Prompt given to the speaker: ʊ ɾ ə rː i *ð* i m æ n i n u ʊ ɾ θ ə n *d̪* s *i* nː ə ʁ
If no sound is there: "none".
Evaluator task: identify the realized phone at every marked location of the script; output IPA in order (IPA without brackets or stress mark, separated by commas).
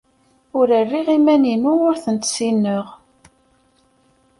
ʁ, t̪, i